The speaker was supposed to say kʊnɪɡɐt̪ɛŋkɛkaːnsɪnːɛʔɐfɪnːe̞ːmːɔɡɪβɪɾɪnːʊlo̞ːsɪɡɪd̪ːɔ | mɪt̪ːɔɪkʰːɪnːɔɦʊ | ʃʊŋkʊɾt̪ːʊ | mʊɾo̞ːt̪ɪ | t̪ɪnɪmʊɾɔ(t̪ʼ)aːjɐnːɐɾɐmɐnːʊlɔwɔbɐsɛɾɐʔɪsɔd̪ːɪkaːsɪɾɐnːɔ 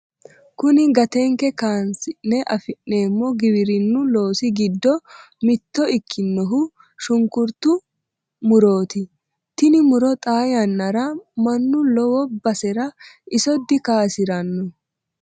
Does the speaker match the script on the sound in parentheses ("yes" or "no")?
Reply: yes